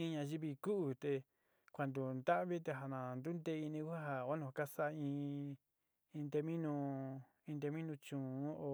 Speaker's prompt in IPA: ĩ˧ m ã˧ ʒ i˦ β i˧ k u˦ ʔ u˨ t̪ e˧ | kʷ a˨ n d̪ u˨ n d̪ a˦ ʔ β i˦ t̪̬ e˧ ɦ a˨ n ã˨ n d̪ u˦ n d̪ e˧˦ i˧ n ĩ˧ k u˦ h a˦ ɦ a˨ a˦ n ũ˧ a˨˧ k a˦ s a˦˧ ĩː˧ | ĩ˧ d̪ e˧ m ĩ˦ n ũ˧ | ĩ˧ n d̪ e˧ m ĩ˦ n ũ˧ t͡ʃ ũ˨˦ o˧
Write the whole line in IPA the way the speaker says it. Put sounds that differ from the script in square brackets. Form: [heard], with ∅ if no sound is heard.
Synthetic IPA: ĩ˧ [ɲ] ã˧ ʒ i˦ β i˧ k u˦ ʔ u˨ t̪ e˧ | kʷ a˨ n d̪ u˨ n d̪ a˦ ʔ β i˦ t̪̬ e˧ ɦ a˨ n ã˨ n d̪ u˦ n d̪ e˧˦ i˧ n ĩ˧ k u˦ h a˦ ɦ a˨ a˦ n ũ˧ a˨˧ k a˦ s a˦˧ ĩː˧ | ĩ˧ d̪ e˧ m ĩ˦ n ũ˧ | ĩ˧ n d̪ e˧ m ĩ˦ n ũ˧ t͡ʃ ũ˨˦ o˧